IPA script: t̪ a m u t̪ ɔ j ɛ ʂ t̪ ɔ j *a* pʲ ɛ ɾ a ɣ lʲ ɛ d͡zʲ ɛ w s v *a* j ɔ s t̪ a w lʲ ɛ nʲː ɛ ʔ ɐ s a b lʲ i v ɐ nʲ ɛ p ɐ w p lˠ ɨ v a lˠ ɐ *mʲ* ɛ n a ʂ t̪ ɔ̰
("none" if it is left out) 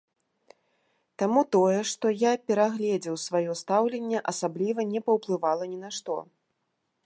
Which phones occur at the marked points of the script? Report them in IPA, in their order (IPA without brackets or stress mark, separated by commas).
a, a, nʲ